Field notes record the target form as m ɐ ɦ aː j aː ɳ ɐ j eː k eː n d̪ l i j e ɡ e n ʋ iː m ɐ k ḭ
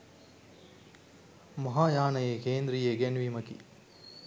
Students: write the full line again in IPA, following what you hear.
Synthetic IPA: m ɐ ɦ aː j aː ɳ ɐ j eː k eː n d̪ ɾ i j e ɡ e n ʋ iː m ɐ k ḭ